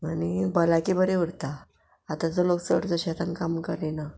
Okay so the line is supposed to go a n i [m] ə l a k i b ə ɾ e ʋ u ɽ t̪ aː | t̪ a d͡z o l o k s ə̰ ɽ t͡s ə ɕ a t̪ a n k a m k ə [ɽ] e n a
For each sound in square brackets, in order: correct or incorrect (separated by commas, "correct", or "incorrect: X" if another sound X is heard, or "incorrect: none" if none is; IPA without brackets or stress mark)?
incorrect: b, incorrect: ɾ